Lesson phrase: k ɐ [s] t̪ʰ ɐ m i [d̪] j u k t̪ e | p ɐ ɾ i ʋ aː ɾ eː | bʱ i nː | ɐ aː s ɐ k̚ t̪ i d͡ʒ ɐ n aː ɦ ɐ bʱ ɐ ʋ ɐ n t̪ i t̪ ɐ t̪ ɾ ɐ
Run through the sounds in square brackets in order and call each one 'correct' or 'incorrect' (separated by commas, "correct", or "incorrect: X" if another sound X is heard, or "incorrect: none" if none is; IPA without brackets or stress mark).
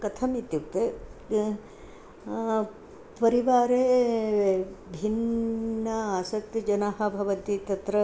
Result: incorrect: none, incorrect: t̪